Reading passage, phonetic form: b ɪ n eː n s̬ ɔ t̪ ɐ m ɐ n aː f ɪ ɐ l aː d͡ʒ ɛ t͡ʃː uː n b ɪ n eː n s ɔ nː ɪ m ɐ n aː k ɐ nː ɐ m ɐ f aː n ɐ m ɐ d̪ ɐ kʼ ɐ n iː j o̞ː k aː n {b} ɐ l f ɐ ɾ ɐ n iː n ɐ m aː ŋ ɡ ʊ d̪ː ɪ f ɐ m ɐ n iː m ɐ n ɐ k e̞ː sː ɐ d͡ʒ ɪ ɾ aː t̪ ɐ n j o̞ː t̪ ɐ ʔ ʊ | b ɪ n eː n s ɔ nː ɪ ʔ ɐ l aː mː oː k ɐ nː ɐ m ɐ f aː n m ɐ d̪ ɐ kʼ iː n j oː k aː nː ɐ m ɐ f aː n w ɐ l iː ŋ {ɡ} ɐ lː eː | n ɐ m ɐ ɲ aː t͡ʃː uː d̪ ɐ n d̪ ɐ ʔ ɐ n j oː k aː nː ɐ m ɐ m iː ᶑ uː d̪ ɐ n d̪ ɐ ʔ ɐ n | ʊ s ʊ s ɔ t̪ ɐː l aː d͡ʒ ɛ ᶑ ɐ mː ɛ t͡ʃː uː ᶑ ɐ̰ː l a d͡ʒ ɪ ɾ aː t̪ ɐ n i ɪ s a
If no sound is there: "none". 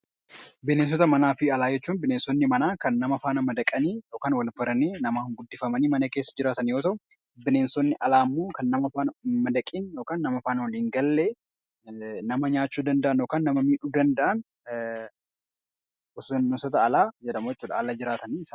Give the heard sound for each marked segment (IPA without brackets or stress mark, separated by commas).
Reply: w, ɡ